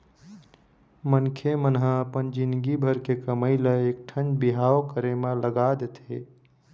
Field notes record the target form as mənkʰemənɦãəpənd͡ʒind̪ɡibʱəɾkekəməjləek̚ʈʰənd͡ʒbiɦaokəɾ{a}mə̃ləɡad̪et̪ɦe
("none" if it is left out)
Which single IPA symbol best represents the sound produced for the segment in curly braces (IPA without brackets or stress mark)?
e